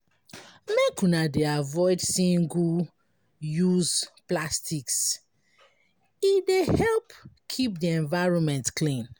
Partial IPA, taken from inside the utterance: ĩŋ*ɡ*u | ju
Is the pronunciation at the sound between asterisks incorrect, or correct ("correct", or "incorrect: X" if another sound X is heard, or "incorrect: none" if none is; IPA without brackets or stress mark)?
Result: correct